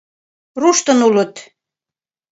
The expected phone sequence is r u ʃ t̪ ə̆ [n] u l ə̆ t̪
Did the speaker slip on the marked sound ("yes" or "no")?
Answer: no